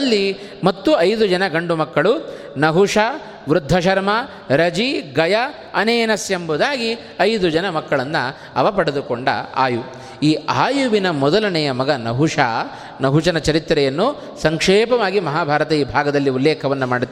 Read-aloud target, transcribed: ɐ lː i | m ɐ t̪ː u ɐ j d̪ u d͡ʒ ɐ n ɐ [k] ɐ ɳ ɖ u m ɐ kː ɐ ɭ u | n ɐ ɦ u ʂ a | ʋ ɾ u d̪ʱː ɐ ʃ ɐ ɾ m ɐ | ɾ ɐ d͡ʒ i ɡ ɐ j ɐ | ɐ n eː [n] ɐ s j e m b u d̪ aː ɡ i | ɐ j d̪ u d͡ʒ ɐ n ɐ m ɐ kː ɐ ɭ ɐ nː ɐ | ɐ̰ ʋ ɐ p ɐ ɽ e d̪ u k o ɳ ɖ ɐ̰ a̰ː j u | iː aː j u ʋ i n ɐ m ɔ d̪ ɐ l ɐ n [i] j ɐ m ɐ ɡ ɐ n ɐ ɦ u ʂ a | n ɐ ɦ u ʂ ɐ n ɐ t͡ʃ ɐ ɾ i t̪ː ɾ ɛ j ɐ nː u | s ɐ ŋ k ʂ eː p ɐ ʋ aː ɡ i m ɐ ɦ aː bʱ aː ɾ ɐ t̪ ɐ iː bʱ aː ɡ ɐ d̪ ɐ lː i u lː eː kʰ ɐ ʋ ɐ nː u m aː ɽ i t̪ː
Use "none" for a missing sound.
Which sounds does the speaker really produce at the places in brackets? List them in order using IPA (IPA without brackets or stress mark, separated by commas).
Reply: ɡ, n, ɛ